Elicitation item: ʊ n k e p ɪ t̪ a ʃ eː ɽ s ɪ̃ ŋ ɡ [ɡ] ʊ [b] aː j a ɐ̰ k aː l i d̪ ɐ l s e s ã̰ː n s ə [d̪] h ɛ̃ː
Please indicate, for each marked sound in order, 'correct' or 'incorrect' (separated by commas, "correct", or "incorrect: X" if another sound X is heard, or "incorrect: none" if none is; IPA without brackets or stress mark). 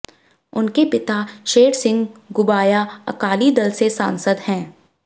correct, correct, correct